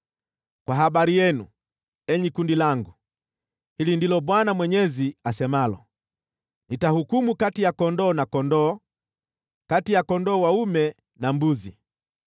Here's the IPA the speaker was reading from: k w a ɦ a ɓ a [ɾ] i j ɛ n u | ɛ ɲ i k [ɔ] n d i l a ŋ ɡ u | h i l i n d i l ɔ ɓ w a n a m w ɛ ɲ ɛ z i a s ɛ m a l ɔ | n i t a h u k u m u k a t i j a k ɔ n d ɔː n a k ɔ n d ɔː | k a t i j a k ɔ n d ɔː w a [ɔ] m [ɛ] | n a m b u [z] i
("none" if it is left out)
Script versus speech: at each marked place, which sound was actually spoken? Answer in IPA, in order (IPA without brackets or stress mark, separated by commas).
ɾ, u, u, ɛ, z